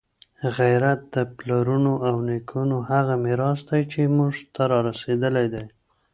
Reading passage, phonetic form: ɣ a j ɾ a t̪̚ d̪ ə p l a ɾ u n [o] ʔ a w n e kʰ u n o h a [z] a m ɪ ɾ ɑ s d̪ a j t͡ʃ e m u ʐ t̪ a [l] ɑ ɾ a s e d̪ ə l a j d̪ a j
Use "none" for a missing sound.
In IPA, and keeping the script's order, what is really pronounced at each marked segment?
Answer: o, ɣ, ɾ

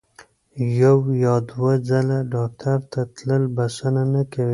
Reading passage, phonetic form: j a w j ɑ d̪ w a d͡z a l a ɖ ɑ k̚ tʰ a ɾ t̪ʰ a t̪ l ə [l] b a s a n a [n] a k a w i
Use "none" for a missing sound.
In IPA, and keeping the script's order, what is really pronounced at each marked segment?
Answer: l, n

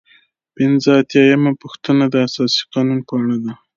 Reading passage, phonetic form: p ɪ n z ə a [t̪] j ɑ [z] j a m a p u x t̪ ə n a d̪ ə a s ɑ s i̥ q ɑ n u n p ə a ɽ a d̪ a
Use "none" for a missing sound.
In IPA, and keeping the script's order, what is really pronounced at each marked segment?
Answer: t̪, none

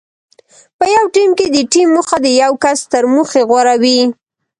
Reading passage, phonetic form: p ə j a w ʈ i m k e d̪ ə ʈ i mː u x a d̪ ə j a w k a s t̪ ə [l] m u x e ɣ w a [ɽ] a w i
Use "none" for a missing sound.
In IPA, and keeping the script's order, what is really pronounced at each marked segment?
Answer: ɾ, ɾ

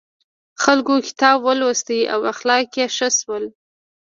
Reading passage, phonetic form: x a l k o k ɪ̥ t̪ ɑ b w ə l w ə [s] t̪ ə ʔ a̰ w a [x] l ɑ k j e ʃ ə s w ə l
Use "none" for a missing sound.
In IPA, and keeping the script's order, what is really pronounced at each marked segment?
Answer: s, x

